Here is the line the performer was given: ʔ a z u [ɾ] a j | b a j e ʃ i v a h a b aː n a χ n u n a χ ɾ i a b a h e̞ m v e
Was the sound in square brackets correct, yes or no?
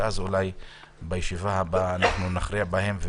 no